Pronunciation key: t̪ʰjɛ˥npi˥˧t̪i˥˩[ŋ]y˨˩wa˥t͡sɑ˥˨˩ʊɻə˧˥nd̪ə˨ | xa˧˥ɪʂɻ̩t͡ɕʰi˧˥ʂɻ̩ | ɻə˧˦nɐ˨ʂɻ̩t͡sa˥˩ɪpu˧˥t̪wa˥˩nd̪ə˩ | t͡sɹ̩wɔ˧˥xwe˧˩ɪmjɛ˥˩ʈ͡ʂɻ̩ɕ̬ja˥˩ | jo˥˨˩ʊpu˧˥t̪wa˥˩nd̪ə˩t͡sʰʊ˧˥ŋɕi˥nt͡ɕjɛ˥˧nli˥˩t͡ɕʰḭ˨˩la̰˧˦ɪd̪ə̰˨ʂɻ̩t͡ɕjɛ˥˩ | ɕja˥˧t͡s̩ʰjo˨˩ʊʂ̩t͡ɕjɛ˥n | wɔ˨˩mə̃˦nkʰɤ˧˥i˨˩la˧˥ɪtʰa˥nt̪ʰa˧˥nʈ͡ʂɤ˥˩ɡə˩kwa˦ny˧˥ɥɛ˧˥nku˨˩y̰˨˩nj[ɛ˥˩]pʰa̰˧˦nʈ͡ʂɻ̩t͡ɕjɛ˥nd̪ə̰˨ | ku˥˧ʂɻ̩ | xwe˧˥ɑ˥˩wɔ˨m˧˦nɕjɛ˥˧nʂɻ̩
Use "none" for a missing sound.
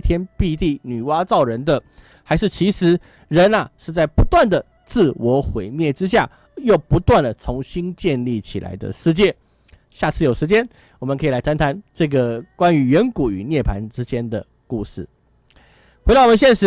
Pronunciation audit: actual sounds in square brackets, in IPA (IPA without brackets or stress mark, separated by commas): n, ɛ˥˩